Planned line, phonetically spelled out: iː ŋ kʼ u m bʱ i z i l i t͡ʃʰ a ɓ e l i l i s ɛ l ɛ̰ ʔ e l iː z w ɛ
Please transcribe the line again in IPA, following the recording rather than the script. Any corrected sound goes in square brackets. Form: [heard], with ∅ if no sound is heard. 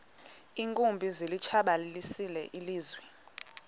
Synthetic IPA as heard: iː ŋ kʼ u m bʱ i z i l i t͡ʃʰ a ɓ [a] l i l i s [i] l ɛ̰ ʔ [i] l iː z w ɛ